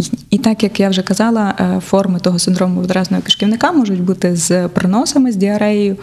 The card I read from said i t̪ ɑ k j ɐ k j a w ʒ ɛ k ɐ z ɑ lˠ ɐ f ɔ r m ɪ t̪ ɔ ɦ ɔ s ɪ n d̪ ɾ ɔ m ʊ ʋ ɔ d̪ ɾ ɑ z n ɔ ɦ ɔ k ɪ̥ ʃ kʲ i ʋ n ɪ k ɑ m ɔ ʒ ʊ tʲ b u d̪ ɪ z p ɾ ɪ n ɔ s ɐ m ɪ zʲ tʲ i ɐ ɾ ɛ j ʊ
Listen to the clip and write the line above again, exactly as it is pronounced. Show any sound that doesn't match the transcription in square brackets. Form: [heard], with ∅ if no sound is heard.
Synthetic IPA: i t̪ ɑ k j ɐ k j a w ʒ ɛ k ɐ z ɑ lˠ ɐ f ɔ r m ɪ t̪ ɔ ɦ ɔ s ɪ n d̪ ɾ ɔ m ʊ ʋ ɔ d̪ ɾ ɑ z n ɔ ɦ ɔ k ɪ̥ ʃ kʲ i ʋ n ɪ k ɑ m ɔ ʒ ʊ tʲ b u [t̪] ɪ z p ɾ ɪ n ɔ s ɐ m ɪ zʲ [dʲ] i ɐ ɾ ɛ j ʊ